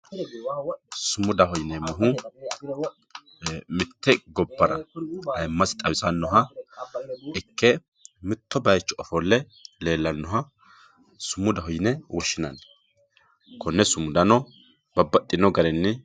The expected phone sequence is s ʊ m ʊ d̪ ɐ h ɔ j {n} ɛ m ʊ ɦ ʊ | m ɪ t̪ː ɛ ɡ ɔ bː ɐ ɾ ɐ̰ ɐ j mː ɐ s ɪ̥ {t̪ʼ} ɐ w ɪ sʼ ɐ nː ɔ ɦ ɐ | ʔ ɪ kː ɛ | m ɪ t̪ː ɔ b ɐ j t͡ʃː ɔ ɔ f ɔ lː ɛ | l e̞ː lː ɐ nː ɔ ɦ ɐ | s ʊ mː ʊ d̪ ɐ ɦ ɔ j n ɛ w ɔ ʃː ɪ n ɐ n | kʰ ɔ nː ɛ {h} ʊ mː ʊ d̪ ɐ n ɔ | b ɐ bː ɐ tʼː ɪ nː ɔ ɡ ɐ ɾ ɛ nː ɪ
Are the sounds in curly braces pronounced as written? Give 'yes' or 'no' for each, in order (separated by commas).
yes, yes, no